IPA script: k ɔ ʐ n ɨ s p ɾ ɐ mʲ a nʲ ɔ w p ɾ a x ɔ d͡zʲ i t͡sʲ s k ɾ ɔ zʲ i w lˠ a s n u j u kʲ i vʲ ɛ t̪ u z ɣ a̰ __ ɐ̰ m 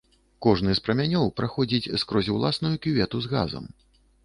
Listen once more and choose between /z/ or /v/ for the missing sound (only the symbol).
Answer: z